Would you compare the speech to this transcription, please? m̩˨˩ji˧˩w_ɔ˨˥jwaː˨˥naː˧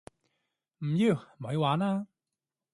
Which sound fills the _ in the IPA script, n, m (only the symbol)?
m